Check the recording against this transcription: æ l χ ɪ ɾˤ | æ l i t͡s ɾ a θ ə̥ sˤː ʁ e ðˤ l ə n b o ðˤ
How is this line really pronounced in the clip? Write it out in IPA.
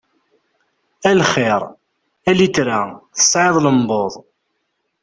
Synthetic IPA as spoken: æ l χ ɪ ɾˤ | æ l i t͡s ɾ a θ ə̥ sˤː ʕ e ðˤ l ə m b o ðˤ